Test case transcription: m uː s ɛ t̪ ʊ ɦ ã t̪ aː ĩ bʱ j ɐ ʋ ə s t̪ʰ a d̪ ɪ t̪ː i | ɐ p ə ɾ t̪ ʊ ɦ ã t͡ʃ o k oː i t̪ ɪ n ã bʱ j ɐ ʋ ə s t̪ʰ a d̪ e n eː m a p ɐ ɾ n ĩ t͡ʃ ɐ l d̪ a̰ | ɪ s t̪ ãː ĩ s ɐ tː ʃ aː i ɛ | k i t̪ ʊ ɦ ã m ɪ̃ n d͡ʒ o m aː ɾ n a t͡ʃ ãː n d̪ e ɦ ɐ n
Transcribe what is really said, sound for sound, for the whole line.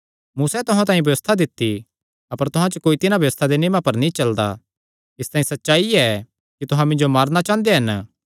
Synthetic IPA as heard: m uː s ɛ t̪ ʊ ɦ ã t̪ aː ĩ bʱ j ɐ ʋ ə s t̪ʰ a d̪ ɪ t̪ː i | ɐ p ə ɾ t̪ ʊ ɦ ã t͡ʃ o k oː i t̪ ɪ n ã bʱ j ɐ ʋ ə s t̪ʰ a d̪ e n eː m a p ɐ ɾ n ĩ t͡ʃ ɐ l d̪ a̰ | ɪ s t̪ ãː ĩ s ɐ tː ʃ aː i ɛ | k i t̪ ʊ ɦ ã m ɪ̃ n d͡ʒ o m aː ɾ n a t͡ʃ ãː n d̪ e ɦ ɐ n